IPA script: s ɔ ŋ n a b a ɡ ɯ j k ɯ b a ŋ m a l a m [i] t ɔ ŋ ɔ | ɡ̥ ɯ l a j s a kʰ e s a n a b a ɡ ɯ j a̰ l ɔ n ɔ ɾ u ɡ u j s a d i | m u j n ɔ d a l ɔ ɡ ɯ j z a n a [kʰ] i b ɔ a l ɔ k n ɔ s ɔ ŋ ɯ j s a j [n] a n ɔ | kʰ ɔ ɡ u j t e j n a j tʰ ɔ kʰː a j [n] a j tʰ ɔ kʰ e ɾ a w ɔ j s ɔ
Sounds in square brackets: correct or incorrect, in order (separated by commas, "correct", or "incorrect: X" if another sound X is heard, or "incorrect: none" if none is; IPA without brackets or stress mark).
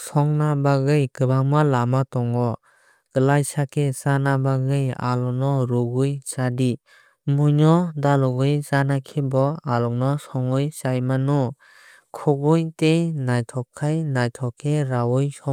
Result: incorrect: a, correct, incorrect: m, correct